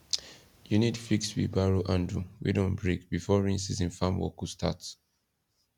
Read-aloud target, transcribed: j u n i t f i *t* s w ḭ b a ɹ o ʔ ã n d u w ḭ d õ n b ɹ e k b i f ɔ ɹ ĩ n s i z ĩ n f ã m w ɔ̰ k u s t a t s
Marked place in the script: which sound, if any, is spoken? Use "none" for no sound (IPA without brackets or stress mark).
k